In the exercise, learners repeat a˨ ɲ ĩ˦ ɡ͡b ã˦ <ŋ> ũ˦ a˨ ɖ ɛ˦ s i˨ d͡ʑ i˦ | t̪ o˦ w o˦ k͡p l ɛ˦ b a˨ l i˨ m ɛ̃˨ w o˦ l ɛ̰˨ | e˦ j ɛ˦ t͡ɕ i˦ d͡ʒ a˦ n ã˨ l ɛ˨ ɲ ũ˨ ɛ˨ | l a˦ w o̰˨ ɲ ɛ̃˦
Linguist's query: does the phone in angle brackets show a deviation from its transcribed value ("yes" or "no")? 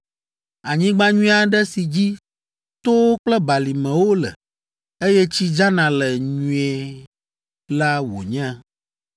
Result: yes